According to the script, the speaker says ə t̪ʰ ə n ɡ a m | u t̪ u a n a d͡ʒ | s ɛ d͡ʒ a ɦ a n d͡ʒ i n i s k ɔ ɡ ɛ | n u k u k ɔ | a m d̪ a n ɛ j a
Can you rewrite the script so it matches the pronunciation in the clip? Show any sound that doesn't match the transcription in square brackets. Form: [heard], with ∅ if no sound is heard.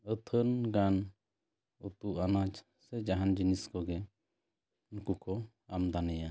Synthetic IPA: ə t̪ʰ ə n ɡ a [n] | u t̪ u a n a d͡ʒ | s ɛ d͡ʒ a ɦ a n d͡ʒ i n i s k ɔ ɡ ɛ | n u k u k ɔ | a m d̪ a n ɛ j a